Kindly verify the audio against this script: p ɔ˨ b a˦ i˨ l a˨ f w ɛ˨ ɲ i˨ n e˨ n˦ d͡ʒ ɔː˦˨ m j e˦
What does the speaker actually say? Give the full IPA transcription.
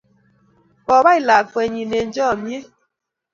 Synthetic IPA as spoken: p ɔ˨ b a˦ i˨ l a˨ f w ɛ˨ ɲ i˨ n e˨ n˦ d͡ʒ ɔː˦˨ m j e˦